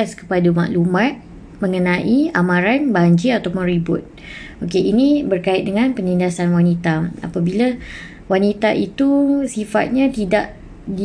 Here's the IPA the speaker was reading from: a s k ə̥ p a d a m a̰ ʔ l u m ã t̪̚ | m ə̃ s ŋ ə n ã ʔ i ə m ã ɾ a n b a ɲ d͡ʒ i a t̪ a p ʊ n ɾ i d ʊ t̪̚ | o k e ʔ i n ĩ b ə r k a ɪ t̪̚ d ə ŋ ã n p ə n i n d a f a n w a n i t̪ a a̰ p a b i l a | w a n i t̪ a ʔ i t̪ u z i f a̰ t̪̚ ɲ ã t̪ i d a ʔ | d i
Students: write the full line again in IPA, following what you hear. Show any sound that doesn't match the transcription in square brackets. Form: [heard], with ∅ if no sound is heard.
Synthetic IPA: a s k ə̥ p a d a m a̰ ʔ l u m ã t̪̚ | m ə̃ [∅] ŋ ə n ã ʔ i [a] m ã ɾ a n b a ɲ d͡ʒ i a t̪ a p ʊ n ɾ i [b] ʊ t̪̚ | o k e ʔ i n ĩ b ə r k a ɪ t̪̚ d ə ŋ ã n p ə n i n d a [s] a n w a n i t̪ a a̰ p a b i l a | w a n i t̪ a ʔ i t̪ u [s] i f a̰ t̪̚ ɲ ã t̪ i d a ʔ | d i